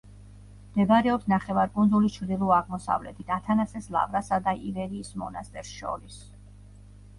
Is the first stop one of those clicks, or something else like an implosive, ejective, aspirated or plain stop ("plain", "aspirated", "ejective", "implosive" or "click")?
plain